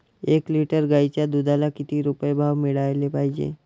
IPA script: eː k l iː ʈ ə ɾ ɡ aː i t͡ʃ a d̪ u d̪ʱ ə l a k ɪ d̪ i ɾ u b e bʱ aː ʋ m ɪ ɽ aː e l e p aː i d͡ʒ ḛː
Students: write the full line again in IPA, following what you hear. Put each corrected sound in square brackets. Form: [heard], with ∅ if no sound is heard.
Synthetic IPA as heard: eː k l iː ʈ ə ɾ ɡ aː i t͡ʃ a d̪ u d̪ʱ [a] l a k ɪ [t̪] i ɾ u [p] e bʱ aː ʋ m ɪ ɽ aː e l e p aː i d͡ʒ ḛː